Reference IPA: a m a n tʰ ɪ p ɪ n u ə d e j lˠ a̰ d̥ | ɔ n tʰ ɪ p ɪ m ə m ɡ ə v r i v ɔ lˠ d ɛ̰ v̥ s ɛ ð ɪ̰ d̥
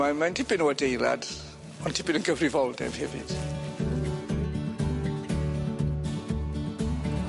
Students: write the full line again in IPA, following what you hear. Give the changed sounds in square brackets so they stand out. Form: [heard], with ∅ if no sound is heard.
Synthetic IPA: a m a n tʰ ɪ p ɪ n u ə d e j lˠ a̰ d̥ | ɔ n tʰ ɪ p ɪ [n] ə [n] ɡ ə v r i v ɔ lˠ d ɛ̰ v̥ [h] ɛ [v] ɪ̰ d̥

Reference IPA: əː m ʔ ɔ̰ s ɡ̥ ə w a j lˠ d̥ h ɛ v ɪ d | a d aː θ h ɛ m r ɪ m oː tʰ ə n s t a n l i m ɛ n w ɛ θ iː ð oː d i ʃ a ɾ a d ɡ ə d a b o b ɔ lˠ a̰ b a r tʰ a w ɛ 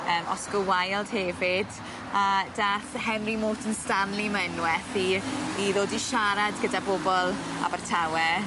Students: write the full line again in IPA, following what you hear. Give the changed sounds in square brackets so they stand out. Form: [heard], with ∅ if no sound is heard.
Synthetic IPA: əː m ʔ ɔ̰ s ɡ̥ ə w a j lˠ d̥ h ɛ v ɪ d | a d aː θ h ɛ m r [i] m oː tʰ ə n s t a n l i m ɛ n w ɛ θ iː ð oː d i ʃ a ɾ a d ɡ ə d a b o b ɔ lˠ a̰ b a r tʰ a w ɛ

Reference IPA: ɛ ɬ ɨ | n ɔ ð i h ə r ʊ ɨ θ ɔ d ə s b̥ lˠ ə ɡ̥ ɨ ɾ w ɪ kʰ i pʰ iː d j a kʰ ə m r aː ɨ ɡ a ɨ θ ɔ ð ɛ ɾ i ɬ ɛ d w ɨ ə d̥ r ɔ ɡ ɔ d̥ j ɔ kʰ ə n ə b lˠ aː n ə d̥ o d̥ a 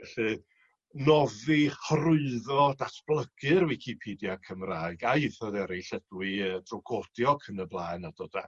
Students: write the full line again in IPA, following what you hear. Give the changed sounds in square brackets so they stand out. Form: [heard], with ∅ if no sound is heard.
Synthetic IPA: ɛ ɬ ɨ | n ɔ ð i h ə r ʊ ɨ [ð] ɔ d [a] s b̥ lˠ ə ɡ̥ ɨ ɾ w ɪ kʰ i pʰ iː d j a kʰ ə m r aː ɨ ɡ a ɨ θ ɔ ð ɛ ɾ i ɬ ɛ d w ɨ ə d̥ r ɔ ɡ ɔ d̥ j ɔ kʰ ə n ə b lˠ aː n [a] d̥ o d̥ a

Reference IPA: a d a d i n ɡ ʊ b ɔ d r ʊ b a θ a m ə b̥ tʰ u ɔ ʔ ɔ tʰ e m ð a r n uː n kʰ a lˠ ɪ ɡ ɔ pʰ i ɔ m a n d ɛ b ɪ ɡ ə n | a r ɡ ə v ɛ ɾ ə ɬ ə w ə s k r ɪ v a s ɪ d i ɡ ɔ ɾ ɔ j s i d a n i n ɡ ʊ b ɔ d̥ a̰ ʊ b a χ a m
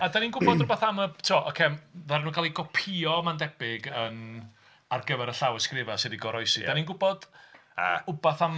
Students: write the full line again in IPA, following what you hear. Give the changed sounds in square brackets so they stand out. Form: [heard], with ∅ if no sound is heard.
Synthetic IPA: a d a [n] i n ɡ ʊ b ɔ d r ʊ b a θ a m ə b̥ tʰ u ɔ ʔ ɔ [kʰ] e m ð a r n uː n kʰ a lˠ [i] ɡ ɔ pʰ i ɔ m a n d ɛ b ɪ ɡ ə n | a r ɡ ə v ɛ ɾ ə ɬ [a] w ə s k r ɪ v a s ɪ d i ɡ ɔ ɾ ɔ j s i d a n i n ɡ ʊ b ɔ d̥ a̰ ʊ b a [θ] a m

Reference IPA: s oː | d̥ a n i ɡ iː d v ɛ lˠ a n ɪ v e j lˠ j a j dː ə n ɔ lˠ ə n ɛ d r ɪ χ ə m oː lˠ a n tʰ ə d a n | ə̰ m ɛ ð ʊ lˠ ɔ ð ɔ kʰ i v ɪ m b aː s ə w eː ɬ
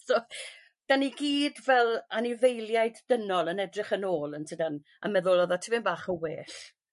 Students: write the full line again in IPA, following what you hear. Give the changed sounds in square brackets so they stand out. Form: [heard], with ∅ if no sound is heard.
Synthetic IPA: s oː | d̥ a n i ɡ iː d v ɛ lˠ a n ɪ v e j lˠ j a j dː ə n ɔ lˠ ə n ɛ d r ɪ χ ə [n] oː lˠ [ə] n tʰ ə d a n | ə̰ m ɛ ð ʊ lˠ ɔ ð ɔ [tʰ] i v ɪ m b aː [χ] ə w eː ɬ

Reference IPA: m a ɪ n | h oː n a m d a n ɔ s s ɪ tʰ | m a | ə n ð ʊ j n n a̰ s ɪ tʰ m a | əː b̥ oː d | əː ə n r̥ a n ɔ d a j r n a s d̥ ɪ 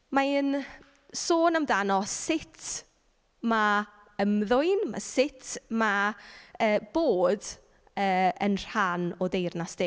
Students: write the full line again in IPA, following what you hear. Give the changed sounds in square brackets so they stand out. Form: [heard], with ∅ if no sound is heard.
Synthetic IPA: m a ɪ n | [s] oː n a m d a n ɔ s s ɪ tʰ | m a | ə [m] ð ʊ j n [m] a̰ s ɪ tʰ m a | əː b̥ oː d | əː ə n r̥ a n ɔ d [e] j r n a s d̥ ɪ

